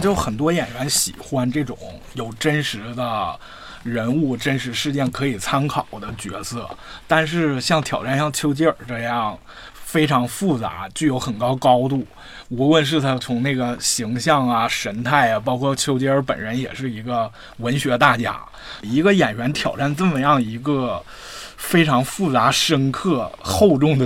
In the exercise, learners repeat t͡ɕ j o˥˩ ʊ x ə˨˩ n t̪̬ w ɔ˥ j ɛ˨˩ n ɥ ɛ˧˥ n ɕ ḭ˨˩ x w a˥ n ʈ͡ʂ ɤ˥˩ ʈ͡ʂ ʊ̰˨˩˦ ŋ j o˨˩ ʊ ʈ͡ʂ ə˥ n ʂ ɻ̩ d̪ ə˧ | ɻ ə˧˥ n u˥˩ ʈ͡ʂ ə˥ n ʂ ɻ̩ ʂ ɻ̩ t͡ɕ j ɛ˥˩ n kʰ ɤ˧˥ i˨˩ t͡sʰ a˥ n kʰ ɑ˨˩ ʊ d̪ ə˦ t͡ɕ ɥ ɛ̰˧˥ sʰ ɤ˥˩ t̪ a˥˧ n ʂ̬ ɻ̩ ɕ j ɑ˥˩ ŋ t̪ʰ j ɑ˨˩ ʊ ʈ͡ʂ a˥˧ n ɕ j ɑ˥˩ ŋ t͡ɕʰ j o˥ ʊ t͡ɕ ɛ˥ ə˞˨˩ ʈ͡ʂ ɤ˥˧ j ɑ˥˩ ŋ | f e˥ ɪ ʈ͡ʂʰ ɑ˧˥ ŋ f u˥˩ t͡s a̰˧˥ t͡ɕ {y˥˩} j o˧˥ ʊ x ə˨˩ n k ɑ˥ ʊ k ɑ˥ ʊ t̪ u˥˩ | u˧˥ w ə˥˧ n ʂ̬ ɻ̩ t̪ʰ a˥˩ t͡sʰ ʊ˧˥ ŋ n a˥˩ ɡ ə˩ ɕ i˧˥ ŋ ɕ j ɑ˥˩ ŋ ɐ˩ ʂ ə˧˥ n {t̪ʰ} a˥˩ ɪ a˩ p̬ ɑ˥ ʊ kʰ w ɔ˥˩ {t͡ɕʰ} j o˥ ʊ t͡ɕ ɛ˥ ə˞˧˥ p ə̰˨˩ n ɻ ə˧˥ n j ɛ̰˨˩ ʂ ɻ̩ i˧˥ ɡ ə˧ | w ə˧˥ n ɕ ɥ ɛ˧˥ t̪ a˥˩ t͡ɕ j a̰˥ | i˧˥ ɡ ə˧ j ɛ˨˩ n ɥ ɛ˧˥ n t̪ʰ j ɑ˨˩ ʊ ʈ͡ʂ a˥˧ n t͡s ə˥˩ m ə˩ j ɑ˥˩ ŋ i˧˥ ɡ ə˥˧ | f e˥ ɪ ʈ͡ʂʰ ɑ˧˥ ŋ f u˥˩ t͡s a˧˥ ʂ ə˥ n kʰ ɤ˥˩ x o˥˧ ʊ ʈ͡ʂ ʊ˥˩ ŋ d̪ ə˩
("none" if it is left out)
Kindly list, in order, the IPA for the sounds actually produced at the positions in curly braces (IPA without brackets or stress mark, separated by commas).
y˥˩, t̪ʰ, t͡ɕʰ